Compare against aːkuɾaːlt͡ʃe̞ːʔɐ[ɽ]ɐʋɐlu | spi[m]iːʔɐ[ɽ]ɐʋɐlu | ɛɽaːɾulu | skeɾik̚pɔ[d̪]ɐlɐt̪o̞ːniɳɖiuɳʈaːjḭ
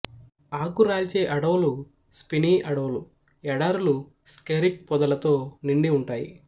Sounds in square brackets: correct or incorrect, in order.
correct, incorrect, correct, correct

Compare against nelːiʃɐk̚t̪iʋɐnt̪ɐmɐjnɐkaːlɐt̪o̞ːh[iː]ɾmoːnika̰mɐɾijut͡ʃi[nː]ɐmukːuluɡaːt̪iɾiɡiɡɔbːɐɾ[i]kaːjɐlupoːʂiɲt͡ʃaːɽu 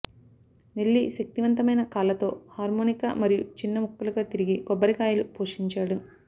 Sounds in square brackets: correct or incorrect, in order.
incorrect, correct, correct

